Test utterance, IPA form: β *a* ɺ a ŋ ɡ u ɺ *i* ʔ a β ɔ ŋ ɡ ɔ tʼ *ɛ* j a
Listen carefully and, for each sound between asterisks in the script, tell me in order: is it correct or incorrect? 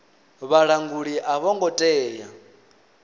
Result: correct, correct, incorrect

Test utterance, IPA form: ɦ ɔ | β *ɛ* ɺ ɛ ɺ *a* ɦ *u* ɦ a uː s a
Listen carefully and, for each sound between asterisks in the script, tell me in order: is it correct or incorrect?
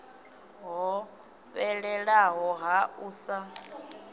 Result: correct, correct, incorrect

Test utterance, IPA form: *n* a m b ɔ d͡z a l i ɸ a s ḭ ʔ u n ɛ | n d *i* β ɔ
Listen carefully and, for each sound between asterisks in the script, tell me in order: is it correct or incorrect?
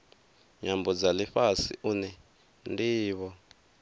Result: incorrect, incorrect

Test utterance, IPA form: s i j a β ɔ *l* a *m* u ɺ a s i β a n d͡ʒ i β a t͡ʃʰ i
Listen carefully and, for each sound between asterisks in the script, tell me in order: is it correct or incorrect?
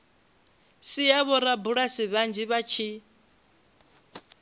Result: incorrect, incorrect

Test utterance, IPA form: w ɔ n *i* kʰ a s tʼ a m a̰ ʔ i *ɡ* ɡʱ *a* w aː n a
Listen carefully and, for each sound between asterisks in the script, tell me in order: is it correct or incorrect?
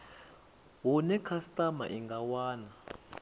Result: incorrect, incorrect, correct

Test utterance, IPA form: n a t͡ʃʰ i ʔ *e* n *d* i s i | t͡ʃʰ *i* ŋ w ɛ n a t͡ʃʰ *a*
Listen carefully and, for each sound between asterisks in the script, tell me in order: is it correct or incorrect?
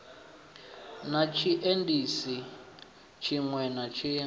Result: correct, correct, correct, incorrect

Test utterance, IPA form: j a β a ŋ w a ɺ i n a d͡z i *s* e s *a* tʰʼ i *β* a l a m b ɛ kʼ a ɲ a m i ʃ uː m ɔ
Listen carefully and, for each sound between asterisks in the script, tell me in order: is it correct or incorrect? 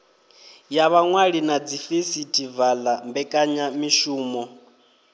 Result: incorrect, incorrect, incorrect

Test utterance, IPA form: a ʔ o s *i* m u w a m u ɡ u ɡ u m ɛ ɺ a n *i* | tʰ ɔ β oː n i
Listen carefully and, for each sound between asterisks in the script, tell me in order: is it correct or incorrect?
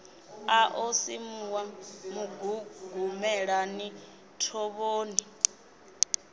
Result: correct, correct

